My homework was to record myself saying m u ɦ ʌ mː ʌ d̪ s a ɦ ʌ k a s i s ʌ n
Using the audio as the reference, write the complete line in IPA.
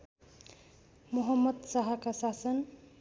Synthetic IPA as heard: m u ɦ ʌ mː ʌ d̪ s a ɦ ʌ k a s a s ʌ n